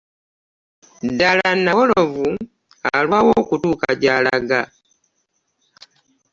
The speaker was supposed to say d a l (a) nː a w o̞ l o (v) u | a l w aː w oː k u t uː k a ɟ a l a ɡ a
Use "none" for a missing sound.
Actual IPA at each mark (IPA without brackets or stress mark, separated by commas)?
a, v